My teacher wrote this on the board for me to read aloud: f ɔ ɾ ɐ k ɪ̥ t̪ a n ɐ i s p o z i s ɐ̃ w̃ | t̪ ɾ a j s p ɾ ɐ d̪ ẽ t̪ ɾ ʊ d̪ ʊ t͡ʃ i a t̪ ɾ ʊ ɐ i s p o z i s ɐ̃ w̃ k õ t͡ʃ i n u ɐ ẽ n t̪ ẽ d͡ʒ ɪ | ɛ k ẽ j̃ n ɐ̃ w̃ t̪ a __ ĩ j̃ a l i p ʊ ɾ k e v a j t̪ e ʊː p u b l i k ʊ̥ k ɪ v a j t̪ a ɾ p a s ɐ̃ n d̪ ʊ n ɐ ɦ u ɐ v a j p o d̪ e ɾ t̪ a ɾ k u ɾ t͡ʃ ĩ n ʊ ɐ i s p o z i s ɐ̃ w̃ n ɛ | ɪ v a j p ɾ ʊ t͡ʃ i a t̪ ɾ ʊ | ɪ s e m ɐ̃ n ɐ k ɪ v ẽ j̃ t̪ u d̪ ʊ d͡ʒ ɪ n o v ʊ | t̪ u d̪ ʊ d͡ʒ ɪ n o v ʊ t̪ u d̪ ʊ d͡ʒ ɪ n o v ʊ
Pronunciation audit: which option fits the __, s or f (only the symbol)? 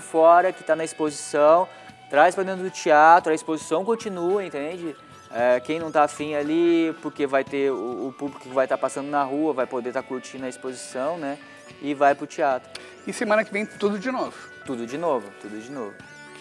f